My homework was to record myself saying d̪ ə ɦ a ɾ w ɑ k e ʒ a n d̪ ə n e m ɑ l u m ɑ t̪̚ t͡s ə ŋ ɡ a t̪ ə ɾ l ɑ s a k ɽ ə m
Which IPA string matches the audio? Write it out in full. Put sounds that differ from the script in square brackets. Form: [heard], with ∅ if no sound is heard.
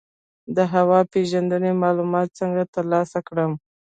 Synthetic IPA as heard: d̪ ə ɦ a [∅] w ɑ [p] e ʒ a n d̪ ə n e m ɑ l u m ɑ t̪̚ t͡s ə ŋ ɡ a t̪ ə ɾ l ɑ s a k ɽ ə m